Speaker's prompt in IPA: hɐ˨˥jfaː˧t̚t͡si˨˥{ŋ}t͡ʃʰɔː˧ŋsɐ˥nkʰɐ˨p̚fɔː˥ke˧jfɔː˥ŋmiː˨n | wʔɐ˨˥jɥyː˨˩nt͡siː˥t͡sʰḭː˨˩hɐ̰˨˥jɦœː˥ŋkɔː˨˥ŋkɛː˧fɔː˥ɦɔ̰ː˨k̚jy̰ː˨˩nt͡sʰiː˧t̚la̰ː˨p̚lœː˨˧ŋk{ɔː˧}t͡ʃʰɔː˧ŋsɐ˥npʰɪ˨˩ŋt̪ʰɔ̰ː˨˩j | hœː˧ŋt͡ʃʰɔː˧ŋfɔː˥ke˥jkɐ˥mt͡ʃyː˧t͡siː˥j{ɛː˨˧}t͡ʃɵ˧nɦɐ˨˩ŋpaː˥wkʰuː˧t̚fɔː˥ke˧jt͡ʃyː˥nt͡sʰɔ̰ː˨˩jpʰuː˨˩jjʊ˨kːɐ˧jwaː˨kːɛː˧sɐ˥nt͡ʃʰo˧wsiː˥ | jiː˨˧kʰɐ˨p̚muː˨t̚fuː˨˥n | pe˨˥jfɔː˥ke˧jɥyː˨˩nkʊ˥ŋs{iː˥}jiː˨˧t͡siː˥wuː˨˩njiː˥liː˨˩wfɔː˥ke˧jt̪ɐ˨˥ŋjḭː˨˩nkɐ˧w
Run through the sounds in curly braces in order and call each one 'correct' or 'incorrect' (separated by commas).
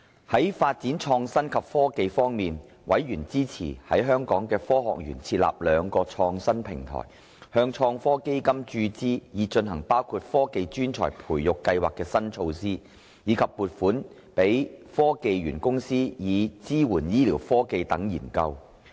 incorrect, correct, incorrect, correct